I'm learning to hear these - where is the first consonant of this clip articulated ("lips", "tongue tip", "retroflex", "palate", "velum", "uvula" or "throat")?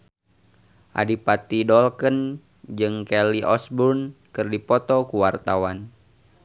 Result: throat